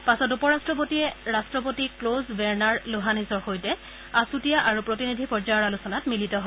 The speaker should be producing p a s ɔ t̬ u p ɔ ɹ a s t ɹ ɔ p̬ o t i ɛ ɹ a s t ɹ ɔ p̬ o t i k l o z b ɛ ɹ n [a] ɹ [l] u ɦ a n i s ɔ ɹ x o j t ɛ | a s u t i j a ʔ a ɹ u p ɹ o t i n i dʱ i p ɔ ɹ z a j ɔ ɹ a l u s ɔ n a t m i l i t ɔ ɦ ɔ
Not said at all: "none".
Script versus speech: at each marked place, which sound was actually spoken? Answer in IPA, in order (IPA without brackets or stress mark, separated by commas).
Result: a, l